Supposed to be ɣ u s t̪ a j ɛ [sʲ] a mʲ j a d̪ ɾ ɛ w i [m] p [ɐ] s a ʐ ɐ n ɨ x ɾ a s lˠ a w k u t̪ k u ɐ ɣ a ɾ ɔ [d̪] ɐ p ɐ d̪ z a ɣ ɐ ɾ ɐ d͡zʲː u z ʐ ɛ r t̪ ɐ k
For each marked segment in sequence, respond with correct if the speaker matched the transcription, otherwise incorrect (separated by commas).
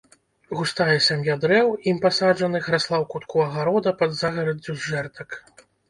correct, correct, incorrect, correct